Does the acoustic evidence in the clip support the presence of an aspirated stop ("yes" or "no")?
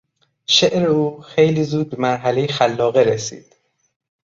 no